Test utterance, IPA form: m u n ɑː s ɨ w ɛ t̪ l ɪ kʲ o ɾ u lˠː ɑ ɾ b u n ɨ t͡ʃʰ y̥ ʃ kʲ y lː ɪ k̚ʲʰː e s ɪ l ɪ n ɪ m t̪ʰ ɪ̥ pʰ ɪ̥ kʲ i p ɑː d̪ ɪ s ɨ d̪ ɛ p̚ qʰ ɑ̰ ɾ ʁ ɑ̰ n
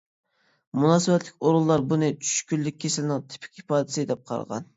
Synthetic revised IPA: m u n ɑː s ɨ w ɛ t̪ l ɪ kʲ o ɾ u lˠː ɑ ɾ b u n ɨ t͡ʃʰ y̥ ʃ kʲ y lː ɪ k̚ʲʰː e s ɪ l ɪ n ɪ ŋ t̪ʰ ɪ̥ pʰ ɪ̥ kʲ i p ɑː d̪ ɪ s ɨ d̪ ɛ p̚ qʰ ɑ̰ ɾ ʁ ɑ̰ n